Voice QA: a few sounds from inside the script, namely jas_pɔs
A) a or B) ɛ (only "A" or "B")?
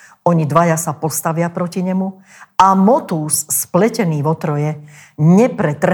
A